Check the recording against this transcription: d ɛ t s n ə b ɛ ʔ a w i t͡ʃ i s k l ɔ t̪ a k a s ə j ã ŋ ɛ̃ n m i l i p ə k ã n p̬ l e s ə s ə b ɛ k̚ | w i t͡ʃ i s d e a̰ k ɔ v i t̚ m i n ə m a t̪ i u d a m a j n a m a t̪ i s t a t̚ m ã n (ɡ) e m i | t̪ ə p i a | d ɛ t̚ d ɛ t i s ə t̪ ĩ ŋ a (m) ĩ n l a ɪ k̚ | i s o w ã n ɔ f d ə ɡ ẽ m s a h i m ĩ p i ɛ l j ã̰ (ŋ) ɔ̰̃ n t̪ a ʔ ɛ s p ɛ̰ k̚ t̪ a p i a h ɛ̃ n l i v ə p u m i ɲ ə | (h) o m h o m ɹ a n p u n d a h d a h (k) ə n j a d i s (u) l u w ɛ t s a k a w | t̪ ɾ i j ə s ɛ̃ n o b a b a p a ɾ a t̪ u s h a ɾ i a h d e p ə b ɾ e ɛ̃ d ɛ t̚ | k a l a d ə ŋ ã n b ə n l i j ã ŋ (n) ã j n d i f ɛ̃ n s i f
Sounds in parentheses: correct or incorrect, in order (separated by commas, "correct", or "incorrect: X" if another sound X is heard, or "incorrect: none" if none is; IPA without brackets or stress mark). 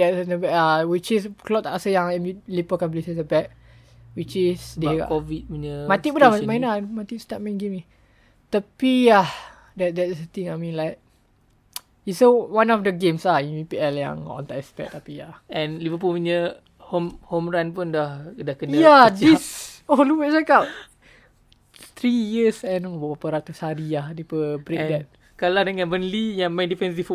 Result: correct, correct, correct, correct, correct, incorrect: o, incorrect: m